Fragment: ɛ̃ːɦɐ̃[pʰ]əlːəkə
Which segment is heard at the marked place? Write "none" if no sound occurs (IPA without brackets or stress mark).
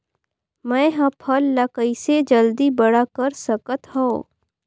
pʰ